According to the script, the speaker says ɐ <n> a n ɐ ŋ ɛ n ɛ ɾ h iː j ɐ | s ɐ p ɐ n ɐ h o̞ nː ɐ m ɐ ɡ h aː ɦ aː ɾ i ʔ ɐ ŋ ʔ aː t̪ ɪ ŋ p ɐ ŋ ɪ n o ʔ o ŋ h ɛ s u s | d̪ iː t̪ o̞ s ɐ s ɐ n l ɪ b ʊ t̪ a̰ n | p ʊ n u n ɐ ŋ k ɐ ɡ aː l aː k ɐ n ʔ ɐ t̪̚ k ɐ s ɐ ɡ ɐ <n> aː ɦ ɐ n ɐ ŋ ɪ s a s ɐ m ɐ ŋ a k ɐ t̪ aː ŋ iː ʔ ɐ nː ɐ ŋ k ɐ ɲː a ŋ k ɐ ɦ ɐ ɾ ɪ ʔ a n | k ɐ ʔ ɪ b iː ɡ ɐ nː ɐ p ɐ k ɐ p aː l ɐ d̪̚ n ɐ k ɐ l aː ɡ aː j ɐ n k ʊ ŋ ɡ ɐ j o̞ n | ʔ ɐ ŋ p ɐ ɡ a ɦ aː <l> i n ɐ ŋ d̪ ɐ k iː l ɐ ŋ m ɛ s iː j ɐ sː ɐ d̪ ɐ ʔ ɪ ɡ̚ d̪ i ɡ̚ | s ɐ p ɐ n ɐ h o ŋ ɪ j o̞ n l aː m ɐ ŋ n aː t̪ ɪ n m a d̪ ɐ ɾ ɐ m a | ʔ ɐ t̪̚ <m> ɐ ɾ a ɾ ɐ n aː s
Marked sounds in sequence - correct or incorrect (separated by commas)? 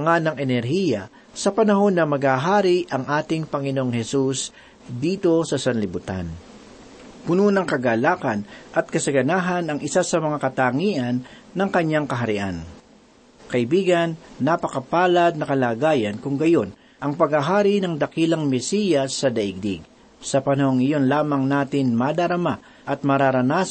incorrect, correct, incorrect, correct